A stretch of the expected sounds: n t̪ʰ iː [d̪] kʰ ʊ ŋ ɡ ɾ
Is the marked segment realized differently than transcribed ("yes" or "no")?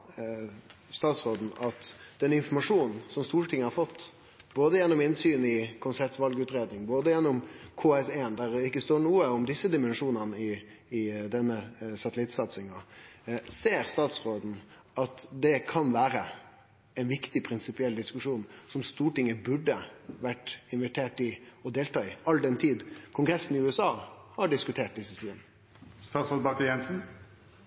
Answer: no